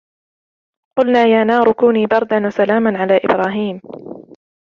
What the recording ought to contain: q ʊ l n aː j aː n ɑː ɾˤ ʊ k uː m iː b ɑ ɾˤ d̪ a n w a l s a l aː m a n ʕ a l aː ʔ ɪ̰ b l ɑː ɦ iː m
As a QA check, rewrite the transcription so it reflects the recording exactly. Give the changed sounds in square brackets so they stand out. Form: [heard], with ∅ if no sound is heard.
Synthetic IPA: q ʊ l n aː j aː n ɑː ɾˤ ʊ k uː [n] iː b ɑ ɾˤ d̪ a n w a [∅] s a l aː m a n ʕ a l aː ʔ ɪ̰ b [ɾ] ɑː ɦ iː m